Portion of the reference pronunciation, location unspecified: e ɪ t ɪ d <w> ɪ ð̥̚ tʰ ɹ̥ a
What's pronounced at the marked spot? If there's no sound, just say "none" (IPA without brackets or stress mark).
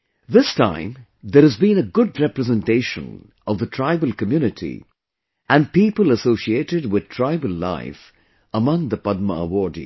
w